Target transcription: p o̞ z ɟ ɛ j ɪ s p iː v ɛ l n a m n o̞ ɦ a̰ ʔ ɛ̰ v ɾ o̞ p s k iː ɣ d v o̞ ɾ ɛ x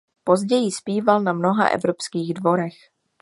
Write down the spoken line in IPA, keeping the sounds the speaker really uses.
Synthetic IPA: p o̞ z ɟ ɛ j ɪ s p iː v a l n a m n o̞ ɦ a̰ ʔ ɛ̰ v ɾ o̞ p s k iː ɣ d v o̞ ɾ ɛ x